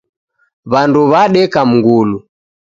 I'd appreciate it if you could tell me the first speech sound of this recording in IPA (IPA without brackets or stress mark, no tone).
β